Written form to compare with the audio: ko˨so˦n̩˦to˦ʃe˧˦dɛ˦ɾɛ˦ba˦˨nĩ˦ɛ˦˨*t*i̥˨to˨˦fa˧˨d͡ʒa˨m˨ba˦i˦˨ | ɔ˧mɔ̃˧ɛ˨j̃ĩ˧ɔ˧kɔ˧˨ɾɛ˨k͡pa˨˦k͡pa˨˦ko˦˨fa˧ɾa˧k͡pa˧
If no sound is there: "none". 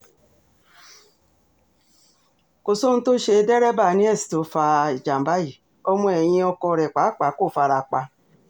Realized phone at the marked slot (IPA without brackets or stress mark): s